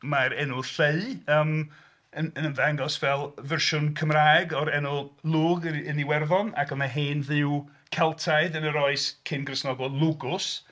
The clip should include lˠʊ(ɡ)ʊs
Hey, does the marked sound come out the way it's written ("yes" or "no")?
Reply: yes